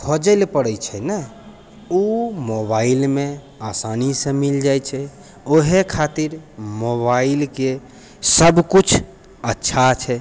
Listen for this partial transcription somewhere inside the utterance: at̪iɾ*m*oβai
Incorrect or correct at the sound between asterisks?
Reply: correct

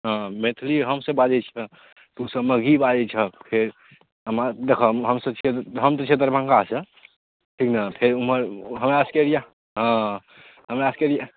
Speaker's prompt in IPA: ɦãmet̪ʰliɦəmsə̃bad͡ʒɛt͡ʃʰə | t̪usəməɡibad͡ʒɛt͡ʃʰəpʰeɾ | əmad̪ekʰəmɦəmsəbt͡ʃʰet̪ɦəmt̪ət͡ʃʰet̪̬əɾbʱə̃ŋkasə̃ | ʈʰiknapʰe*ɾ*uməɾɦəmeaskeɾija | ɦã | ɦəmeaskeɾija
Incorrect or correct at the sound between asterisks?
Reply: correct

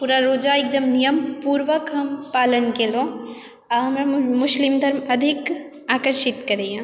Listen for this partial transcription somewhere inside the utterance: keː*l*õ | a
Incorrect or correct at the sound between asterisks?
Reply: correct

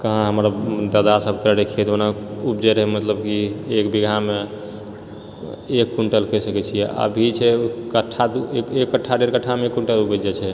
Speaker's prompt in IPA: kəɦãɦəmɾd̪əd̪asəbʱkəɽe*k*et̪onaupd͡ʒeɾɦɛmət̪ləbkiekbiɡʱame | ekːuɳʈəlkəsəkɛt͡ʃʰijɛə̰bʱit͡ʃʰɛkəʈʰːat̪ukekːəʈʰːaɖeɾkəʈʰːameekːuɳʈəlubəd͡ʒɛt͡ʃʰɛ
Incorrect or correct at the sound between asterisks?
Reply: incorrect: kʰ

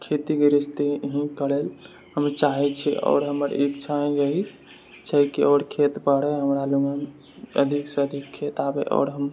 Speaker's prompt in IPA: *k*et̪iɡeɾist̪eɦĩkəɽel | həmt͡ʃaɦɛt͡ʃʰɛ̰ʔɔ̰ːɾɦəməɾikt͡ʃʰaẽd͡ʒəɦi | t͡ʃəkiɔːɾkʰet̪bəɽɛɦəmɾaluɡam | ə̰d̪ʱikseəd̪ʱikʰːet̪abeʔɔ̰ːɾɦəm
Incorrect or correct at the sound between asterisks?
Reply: incorrect: kʰ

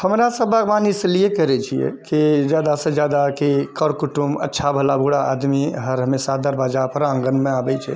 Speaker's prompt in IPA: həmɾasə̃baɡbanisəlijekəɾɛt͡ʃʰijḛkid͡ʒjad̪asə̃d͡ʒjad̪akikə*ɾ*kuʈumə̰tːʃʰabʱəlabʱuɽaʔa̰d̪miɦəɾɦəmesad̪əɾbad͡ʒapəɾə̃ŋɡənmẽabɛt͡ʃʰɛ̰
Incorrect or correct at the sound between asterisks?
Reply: correct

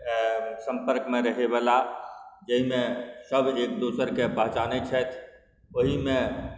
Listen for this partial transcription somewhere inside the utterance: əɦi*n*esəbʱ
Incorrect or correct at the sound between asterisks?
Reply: incorrect: m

